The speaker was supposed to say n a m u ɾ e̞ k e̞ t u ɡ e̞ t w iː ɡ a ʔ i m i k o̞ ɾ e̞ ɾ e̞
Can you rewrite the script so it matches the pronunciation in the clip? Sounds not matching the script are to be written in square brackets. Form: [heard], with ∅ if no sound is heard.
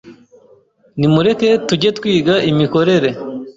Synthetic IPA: n [i] m u ɾ e̞ k e̞ t u [ɟ] e̞ t w iː ɡ a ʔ i m i k o̞ ɾ e̞ ɾ e̞